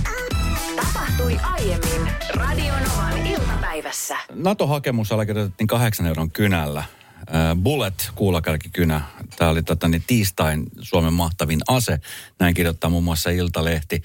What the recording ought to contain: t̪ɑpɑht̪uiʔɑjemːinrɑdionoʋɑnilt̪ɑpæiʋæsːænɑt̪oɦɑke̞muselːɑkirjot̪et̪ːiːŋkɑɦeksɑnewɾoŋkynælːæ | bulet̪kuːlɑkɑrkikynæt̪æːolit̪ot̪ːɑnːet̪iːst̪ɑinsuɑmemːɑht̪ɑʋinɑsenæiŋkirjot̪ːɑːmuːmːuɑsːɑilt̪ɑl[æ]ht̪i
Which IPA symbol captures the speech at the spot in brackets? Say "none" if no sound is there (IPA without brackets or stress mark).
e